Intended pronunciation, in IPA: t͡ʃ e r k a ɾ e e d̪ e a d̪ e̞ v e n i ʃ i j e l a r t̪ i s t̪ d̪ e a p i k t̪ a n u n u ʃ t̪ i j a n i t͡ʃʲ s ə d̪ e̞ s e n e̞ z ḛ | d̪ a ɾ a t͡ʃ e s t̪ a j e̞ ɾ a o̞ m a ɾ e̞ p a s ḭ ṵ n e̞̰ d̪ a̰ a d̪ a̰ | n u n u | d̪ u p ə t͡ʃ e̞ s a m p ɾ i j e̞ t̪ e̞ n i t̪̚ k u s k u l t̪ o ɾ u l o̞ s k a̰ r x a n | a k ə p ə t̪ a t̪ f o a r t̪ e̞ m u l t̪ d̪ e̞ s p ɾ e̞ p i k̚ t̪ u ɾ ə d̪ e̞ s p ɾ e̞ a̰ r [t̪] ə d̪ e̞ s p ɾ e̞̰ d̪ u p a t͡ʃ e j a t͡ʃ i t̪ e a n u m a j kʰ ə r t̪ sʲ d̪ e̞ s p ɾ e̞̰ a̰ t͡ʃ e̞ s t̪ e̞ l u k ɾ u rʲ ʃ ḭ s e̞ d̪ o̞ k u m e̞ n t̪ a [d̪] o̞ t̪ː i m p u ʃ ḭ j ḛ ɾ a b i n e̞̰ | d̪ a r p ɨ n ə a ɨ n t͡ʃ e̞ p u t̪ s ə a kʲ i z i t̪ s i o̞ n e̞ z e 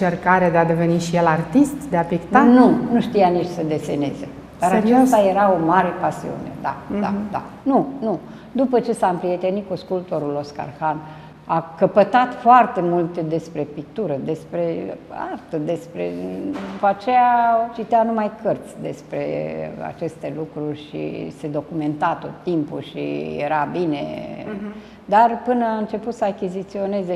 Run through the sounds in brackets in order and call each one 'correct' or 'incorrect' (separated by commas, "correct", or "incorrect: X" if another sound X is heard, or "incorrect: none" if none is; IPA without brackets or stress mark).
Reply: correct, incorrect: t̪